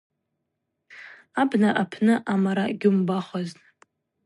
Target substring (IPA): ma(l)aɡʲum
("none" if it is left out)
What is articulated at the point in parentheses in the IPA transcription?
ɾ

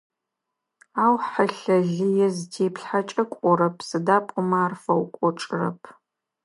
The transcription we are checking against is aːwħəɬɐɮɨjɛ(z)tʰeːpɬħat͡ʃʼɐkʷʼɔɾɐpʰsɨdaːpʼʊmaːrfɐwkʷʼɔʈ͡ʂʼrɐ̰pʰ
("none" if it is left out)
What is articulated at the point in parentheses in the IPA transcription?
z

